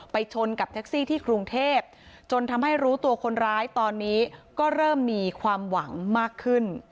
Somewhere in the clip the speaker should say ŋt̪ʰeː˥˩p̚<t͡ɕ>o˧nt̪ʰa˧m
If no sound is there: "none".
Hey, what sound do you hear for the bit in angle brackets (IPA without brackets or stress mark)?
t͡ɕ